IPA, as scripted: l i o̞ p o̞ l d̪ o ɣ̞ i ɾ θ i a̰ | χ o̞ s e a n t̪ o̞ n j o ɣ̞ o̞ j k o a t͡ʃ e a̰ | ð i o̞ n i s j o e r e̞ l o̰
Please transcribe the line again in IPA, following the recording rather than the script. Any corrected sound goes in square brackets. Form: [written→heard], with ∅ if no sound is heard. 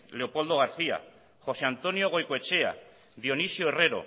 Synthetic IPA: l [i→e] o̞ p o̞ l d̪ o ɣ̞ [i→a] ɾ θ i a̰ | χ o̞ s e a n t̪ o̞ n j o ɣ̞ o̞ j k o [a→e] t͡ʃ e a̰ | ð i o̞ n i s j o e r e̞ [l→ɾ] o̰